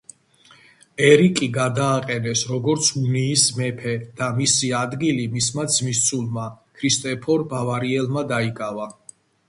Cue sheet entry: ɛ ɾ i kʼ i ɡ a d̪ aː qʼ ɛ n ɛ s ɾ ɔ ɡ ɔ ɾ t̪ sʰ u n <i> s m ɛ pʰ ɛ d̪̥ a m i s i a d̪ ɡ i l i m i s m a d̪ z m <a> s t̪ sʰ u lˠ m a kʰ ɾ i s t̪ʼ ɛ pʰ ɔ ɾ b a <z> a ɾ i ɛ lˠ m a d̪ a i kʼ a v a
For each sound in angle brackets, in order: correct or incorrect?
incorrect: iː, incorrect: i, incorrect: v

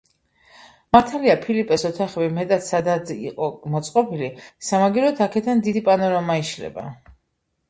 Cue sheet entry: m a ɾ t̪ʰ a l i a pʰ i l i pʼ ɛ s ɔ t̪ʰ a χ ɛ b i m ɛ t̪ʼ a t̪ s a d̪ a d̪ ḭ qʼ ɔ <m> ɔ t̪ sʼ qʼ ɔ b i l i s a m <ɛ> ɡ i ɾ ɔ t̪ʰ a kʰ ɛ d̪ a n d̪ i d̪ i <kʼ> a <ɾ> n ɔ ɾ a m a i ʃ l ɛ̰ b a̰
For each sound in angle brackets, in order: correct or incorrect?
correct, incorrect: a, incorrect: pʼ, incorrect: none

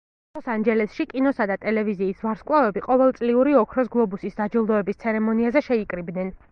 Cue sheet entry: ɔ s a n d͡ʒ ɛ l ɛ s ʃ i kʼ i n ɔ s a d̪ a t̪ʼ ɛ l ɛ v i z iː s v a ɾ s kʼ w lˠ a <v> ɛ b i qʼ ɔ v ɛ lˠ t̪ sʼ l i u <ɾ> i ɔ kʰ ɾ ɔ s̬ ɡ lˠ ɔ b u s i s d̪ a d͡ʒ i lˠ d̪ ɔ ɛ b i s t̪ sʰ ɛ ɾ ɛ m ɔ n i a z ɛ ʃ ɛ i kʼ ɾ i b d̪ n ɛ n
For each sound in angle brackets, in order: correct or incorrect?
correct, correct

